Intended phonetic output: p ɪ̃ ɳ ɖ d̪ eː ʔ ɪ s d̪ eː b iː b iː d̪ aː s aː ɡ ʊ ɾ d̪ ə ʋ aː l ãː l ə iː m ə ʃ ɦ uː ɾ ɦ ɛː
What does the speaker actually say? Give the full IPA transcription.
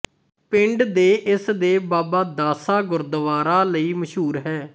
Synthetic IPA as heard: p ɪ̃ ɳ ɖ d̪ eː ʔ ɪ s d̪ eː b aː b aː d̪ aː s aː ɡ ʊ ɾ d̪ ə ʋ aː ɾ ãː l ə iː m ə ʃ ɦ uː ɾ ɦ ɛː